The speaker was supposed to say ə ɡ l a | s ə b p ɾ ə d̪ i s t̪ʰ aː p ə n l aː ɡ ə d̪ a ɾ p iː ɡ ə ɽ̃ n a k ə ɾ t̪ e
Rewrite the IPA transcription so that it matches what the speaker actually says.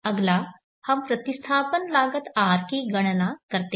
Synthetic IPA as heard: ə ɡ l a | h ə m p ɾ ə t̪ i s t̪ʰ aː p ə n l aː ɡ ə t̪ a ɾ k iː ɡ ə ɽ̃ n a k ə ɾ t̪ e